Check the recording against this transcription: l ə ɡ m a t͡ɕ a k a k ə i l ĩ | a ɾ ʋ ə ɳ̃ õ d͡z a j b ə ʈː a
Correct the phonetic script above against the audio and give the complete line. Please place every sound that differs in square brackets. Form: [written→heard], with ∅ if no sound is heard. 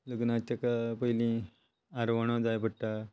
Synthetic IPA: l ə ɡ [m→n] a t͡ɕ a k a [k→p] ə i l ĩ | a ɾ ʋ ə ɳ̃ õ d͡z a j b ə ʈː a